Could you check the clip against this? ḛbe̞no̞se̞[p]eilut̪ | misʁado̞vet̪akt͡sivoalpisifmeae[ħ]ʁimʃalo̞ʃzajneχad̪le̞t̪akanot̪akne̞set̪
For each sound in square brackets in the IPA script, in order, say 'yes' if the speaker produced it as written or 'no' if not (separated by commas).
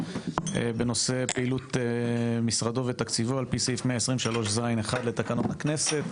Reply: yes, no